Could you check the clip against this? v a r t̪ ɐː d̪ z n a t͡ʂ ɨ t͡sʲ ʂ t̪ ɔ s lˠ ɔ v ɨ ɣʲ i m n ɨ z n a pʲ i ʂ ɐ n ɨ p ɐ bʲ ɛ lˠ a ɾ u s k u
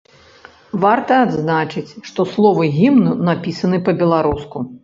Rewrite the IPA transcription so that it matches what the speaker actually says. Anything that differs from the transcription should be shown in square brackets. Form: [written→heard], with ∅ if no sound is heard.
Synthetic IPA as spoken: v a r t̪ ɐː d̪ z n a t͡ʂ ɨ t͡sʲ ʂ t̪ ɔ s lˠ ɔ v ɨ ɣʲ i m n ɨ [z→∅] n a pʲ i [ʂ→s] ɐ n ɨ p ɐ bʲ ɛ lˠ a ɾ u s k u